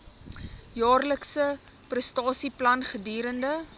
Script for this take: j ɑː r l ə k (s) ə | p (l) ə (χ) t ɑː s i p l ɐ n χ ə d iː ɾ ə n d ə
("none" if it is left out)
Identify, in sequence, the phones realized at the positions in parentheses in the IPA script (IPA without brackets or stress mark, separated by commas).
s, r, s